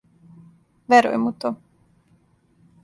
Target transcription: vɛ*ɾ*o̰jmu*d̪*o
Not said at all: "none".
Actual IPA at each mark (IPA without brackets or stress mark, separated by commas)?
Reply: ɾ, t̪